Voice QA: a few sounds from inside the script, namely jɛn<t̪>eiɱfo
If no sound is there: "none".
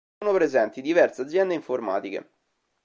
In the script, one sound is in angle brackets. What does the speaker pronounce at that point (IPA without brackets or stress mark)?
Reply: d̪